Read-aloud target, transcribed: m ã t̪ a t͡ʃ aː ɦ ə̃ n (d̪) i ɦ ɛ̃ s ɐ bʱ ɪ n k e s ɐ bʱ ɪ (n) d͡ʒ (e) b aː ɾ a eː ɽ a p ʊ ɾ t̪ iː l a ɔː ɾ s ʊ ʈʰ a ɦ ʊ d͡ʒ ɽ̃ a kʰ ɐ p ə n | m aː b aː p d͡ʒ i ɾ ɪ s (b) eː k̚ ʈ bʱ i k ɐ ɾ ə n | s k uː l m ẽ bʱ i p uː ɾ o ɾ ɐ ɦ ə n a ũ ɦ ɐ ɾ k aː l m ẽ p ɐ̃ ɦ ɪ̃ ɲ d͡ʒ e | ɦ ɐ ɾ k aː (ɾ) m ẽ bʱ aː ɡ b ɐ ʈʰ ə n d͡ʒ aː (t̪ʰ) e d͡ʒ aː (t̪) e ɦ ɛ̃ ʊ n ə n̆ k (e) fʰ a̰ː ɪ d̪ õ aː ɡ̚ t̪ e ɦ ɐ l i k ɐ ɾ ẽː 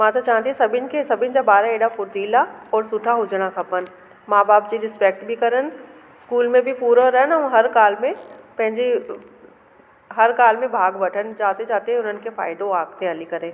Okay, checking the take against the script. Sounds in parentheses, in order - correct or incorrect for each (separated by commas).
incorrect, correct, incorrect, incorrect, incorrect, incorrect, correct, correct